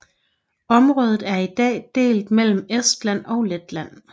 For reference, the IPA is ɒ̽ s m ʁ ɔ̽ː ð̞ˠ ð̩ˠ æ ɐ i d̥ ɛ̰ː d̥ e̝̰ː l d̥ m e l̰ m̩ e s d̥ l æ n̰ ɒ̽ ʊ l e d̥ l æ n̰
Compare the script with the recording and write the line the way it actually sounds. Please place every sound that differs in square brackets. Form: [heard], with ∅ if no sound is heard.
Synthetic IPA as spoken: ɒ̽ [∅] m ʁ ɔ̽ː ð̞ˠ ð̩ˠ æ ɐ i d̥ ɛ̰ː d̥ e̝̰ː l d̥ m e l̰ m̩ e s d̥ l æ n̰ ɒ̽ ʊ l e d̥ l æ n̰